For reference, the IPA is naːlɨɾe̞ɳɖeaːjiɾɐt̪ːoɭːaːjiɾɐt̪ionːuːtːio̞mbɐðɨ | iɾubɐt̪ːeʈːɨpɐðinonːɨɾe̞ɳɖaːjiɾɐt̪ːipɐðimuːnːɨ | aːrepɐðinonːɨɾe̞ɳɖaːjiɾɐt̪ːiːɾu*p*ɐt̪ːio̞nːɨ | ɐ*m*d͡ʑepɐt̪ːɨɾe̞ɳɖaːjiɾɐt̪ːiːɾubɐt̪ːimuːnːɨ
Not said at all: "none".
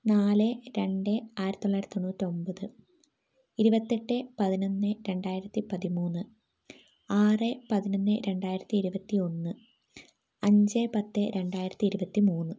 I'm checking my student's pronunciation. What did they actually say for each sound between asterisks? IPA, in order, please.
b, ɲ

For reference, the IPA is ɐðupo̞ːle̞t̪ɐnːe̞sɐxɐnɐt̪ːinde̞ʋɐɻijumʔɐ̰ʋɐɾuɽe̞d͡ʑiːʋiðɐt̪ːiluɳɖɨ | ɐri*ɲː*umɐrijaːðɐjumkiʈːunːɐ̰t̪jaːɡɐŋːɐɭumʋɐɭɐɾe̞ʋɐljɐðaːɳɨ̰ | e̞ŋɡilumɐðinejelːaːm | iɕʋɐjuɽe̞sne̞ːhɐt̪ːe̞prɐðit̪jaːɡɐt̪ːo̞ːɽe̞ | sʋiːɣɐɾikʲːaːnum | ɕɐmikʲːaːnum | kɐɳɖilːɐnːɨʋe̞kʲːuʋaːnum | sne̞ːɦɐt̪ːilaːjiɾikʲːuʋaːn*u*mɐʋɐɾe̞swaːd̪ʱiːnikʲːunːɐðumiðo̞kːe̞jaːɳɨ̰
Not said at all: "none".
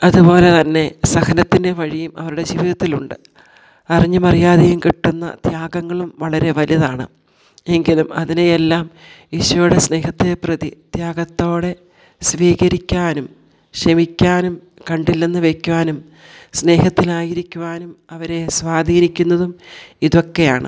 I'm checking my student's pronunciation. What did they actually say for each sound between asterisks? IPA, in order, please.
ɲː, u

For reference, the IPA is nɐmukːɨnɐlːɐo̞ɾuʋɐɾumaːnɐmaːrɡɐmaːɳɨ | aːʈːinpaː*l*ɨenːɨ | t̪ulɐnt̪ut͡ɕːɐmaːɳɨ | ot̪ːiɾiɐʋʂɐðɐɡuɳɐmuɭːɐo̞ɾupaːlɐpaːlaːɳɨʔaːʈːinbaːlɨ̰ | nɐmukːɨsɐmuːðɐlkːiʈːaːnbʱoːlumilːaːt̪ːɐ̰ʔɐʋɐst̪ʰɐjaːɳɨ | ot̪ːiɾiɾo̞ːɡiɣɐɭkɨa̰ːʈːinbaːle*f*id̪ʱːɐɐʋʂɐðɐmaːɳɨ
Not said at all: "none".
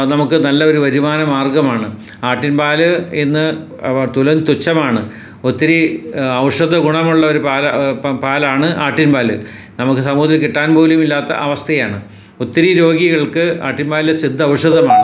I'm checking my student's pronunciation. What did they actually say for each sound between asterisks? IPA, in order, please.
l, s

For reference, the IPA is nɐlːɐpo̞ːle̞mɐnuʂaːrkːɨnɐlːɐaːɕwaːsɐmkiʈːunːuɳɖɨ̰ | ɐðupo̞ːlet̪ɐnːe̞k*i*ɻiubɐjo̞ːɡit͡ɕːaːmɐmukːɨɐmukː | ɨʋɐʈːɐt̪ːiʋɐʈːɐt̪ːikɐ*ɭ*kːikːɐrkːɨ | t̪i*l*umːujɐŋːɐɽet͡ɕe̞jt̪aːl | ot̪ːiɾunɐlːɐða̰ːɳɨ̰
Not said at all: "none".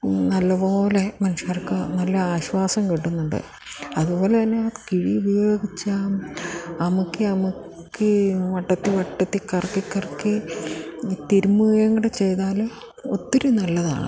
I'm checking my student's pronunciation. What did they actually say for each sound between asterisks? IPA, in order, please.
i, r, ɾ

